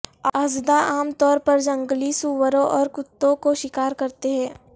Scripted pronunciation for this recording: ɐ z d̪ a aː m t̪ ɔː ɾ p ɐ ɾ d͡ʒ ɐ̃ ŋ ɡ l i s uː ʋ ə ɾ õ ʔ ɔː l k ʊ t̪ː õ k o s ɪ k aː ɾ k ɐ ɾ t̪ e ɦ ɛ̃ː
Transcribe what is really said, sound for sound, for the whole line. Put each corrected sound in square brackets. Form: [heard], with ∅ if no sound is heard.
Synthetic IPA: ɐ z d̪ a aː m t̪ ɔː ɾ p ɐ ɾ d͡ʒ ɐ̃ ŋ ɡ l i s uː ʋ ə ɾ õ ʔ ɔː [ɾ] k ʊ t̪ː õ k o [ʃ] ɪ k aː ɾ k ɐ ɾ t̪ e ɦ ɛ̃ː